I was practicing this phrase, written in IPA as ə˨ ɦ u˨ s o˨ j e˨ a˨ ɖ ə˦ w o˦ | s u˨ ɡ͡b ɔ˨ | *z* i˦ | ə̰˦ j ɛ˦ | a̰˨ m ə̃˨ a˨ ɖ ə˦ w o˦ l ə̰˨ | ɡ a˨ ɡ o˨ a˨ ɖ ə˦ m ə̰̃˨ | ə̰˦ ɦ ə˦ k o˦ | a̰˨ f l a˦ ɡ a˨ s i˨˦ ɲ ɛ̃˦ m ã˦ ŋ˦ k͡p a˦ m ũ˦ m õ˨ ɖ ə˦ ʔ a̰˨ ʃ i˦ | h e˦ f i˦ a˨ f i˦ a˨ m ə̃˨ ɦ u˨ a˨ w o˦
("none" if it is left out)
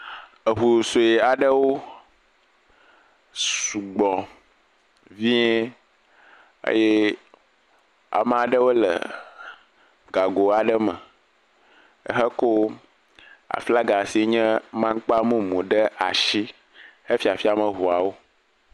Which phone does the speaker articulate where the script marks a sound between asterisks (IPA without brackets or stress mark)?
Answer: v